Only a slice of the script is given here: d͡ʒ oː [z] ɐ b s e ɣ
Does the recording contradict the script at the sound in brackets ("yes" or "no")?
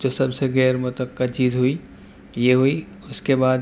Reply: yes